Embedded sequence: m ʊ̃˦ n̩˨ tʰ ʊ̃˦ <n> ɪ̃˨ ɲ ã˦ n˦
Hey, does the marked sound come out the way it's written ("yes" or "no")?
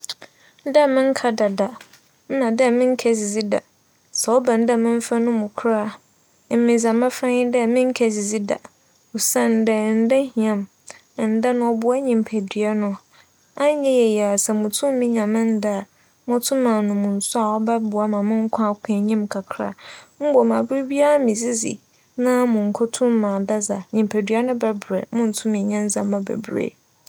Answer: no